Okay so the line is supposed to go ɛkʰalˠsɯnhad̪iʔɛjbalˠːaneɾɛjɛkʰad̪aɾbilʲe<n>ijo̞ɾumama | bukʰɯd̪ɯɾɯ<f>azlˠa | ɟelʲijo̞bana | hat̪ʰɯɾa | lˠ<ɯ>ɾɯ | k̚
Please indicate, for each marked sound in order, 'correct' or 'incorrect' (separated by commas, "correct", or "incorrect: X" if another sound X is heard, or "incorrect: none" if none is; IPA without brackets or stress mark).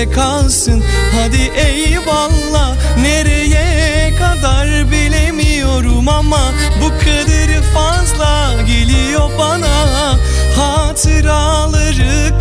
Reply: incorrect: m, correct, correct